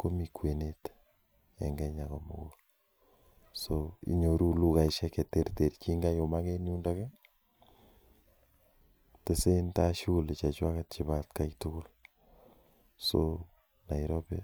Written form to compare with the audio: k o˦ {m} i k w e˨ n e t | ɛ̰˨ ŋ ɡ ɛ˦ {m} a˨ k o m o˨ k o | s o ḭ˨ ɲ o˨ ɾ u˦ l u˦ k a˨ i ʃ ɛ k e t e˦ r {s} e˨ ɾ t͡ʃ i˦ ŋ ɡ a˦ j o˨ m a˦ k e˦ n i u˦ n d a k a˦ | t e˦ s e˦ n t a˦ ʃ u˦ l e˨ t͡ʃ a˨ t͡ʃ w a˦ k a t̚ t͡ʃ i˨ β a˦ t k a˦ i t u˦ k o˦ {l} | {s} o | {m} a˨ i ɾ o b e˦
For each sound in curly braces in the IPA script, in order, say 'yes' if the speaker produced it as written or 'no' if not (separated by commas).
yes, no, no, yes, yes, no